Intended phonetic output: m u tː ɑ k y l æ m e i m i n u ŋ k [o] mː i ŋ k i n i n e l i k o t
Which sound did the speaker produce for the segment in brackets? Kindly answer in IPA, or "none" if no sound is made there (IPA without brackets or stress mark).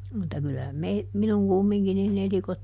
u